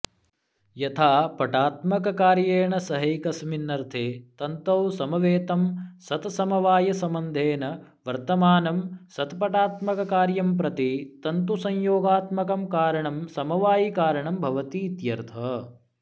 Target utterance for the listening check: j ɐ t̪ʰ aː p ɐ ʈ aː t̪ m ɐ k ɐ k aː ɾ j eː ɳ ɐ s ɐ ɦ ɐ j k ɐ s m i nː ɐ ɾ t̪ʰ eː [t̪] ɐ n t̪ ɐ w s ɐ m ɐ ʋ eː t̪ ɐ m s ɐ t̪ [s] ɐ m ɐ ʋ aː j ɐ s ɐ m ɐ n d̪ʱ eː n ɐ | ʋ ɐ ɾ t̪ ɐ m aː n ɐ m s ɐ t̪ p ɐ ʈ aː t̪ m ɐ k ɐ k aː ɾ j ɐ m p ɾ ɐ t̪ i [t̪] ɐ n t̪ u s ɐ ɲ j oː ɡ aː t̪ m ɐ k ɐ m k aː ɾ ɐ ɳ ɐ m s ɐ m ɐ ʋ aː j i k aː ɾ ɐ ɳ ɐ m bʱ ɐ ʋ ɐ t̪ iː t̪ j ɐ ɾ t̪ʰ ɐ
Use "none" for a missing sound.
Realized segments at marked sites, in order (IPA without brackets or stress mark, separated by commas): t̪, s, t̪